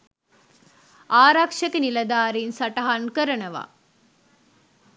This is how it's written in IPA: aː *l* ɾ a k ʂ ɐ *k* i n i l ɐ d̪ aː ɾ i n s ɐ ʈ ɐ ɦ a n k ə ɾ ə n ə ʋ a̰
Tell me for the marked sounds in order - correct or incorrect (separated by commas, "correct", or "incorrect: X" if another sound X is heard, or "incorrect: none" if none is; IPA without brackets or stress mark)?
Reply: incorrect: none, correct